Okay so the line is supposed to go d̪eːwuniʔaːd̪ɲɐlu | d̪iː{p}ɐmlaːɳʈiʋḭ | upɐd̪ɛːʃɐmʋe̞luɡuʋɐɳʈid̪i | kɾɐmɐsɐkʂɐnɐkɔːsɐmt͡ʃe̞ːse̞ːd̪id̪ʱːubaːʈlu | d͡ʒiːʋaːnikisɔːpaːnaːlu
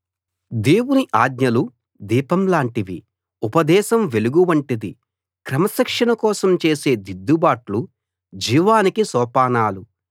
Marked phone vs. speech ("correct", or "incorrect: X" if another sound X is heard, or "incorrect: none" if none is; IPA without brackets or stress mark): correct